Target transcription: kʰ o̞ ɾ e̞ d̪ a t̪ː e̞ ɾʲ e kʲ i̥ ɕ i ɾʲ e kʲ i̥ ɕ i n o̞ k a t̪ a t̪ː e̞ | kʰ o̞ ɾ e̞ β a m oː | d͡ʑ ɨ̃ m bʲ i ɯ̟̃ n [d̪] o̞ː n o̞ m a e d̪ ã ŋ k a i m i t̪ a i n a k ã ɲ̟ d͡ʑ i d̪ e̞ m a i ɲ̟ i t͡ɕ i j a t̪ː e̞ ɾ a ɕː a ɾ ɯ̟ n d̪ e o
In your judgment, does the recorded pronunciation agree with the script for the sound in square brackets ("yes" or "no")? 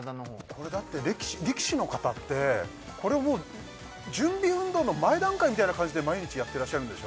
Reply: yes